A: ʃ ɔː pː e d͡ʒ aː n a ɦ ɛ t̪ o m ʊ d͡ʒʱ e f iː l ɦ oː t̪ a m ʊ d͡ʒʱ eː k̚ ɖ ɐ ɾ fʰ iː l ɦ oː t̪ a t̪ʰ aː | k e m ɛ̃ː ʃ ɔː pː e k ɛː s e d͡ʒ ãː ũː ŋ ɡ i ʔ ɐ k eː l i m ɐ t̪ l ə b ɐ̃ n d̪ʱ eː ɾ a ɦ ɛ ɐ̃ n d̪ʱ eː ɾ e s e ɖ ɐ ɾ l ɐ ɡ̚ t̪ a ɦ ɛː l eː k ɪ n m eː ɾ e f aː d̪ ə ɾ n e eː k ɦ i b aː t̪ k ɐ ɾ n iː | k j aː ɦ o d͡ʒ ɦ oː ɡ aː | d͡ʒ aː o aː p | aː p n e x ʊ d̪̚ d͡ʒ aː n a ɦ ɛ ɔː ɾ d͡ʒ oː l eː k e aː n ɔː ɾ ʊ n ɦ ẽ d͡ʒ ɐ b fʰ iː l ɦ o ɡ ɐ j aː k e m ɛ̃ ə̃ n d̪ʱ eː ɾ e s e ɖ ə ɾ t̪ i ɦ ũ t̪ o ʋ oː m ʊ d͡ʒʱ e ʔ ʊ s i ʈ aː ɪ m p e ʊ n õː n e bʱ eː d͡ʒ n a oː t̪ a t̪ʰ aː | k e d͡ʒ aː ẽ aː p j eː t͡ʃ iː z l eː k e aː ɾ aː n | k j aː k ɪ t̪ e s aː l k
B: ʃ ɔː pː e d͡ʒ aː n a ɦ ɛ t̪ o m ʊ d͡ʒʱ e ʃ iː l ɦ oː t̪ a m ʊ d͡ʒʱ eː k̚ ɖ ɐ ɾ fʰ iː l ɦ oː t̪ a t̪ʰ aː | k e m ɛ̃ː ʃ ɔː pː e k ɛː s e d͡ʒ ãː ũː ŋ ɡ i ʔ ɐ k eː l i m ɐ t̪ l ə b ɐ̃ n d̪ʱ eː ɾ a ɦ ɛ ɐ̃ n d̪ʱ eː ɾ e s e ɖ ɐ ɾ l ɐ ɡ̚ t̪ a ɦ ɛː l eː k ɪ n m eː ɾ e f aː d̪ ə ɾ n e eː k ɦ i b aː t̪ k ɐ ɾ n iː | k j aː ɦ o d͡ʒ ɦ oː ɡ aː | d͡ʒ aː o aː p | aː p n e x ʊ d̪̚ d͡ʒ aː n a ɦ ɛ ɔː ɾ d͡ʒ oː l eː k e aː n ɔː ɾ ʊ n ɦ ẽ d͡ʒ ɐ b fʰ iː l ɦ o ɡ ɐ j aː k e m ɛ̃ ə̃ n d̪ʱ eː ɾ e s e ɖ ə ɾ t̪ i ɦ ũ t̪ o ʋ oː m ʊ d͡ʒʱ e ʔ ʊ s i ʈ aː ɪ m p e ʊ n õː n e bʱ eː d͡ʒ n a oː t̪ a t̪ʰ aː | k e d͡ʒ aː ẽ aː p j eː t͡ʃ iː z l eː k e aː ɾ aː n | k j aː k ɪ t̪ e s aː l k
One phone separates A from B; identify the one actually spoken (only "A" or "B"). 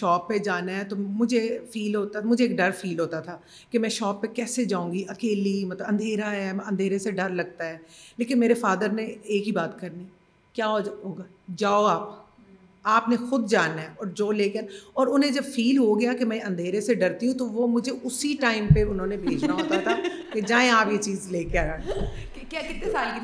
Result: A